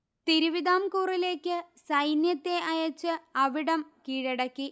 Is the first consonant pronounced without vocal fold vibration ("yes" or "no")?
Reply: yes